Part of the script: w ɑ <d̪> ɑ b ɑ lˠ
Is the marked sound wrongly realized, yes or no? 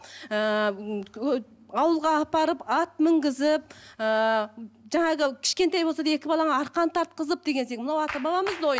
yes